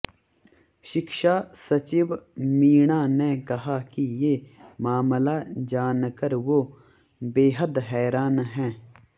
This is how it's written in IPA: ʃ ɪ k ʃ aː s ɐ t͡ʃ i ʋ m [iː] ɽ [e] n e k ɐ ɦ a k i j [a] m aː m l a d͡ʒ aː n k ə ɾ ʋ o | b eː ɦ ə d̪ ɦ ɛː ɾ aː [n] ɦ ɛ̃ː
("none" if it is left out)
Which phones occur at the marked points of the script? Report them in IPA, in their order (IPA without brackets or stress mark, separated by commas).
iː, a, e, n